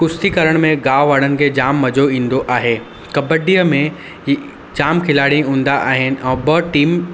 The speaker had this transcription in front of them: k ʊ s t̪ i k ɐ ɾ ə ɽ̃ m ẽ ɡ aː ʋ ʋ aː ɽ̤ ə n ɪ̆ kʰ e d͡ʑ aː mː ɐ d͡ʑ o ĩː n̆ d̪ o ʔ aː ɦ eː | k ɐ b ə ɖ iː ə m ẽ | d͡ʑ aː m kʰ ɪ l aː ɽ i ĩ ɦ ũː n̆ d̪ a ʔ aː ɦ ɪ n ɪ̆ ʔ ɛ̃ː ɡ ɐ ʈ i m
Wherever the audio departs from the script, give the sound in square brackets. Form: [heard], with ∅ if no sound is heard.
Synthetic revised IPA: k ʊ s t̪ i k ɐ ɾ ə ɽ̃ m ẽ ɡ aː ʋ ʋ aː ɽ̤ ə n ɪ̆ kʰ e d͡ʑ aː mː ɐ d͡ʑ o ĩː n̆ d̪ o ʔ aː ɦ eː | k ɐ b ə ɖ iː ə m ẽ | d͡ʑ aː m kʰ ɪ l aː ɽ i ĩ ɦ ũː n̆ d̪ a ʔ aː ɦ ɪ n ɪ̆ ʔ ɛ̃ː [b] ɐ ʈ [iː] m